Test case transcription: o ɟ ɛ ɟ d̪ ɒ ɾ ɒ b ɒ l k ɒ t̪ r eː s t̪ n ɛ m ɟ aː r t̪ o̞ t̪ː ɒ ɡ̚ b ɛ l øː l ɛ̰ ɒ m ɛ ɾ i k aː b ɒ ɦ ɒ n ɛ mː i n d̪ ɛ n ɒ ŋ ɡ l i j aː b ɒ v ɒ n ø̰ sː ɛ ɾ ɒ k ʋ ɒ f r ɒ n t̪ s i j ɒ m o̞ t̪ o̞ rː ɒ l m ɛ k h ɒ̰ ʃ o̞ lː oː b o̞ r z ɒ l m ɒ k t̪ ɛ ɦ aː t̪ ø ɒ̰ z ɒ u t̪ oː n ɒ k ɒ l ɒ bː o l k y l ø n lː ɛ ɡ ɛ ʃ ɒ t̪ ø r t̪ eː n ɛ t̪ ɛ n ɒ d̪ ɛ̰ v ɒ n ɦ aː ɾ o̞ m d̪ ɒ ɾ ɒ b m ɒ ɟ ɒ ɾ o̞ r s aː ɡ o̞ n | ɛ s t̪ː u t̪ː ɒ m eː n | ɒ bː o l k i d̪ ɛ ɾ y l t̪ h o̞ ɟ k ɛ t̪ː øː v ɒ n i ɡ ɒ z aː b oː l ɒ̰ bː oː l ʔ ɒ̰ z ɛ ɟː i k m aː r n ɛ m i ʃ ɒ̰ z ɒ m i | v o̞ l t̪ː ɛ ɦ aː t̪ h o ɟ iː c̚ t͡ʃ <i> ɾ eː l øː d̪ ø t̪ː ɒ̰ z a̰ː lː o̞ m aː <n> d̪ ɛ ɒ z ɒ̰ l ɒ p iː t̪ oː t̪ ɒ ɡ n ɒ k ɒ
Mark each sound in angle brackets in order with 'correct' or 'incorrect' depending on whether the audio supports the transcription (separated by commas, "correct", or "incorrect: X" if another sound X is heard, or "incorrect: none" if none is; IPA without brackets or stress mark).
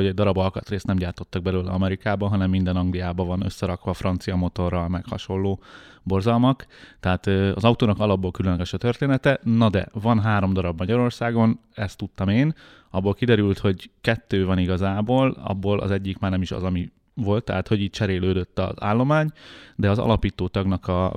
incorrect: ɛ, incorrect: ɲ